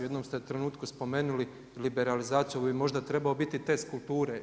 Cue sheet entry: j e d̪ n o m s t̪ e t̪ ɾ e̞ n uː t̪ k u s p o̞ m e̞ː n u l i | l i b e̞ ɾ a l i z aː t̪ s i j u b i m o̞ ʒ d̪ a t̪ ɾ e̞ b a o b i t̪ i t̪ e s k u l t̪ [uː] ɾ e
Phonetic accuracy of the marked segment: correct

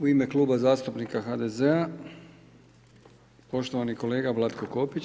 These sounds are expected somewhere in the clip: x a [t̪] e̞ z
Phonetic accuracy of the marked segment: incorrect: d̪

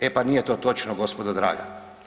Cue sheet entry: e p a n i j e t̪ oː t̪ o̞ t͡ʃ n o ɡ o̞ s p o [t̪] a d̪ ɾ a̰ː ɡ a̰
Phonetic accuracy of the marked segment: incorrect: d̪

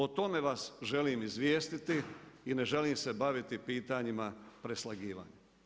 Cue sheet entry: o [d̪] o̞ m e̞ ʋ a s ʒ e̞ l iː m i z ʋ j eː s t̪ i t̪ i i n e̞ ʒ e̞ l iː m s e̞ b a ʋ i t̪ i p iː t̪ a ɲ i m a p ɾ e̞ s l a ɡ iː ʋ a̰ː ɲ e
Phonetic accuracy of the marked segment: incorrect: t̪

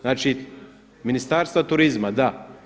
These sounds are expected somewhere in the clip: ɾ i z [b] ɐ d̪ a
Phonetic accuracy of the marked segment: incorrect: m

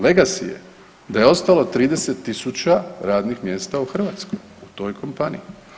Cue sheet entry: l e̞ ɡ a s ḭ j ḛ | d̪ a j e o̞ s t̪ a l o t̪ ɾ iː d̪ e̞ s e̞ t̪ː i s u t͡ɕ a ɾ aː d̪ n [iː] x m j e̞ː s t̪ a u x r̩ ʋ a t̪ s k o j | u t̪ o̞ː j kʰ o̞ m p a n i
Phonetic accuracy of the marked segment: incorrect: i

